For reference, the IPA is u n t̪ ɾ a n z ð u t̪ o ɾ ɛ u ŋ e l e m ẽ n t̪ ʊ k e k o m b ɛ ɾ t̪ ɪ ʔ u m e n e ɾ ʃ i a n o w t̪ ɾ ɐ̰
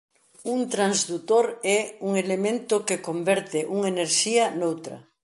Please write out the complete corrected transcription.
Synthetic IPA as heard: u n t̪ ɾ a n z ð u t̪ o ɾ ɛ u ŋ e l e m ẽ n t̪ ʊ k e k o m b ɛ ɾ t̪ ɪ ʔ u ŋ e n e ɾ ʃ i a n o w t̪ ɾ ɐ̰